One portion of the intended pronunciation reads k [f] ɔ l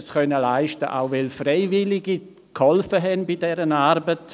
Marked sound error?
yes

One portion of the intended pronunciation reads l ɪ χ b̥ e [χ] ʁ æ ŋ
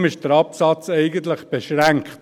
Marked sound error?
yes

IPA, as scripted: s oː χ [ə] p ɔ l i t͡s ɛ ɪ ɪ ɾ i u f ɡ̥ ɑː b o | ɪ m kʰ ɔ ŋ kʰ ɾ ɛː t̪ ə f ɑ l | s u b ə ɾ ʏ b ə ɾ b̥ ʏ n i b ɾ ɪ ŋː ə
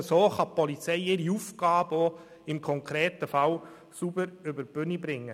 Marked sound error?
yes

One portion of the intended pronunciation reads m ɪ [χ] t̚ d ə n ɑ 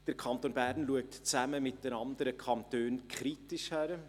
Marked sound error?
yes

